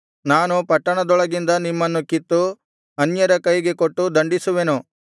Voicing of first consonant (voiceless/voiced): voiced